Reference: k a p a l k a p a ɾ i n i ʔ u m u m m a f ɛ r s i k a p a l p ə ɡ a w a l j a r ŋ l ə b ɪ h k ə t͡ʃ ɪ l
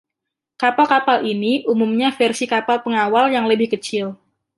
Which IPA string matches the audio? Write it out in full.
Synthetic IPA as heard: k a p a l k a p a l i n i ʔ u m u m ɲ a f ɛ r s i k a p a l p ə ŋ a w a l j a ŋ l ə b ɪ h k ə t͡ʃ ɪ l